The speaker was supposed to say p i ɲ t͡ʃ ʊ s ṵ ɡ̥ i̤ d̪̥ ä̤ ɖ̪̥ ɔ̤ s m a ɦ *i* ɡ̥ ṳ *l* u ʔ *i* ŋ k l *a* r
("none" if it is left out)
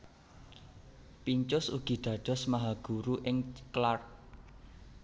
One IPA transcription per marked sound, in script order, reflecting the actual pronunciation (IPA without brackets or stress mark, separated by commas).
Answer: a, ɾ, ɪ, a